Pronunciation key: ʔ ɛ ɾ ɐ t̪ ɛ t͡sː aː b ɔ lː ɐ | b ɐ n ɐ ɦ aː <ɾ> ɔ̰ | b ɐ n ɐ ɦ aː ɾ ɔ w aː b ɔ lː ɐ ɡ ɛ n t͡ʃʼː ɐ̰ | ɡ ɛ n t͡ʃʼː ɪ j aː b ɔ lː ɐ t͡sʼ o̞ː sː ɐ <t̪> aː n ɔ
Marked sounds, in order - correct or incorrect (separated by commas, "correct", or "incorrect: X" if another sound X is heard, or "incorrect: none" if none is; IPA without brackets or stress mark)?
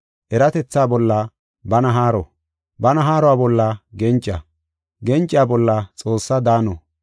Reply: correct, incorrect: d̪